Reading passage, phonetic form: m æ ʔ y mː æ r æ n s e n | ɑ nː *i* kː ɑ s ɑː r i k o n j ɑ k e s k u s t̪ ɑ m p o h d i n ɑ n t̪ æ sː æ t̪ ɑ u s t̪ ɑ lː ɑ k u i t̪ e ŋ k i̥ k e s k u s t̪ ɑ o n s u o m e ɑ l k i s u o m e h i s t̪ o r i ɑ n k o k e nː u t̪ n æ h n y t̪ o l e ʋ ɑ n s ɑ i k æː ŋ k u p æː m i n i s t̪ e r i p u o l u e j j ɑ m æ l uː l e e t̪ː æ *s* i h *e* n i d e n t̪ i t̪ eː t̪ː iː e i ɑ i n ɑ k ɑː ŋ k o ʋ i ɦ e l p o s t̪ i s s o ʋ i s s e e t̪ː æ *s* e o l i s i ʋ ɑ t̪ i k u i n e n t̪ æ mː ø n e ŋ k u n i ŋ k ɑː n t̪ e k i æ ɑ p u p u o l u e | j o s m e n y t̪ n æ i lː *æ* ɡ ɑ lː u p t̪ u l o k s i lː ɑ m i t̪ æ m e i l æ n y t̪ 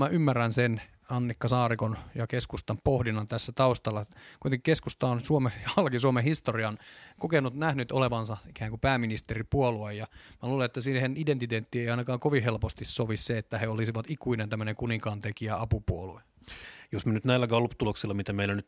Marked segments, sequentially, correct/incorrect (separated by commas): correct, correct, correct, incorrect, correct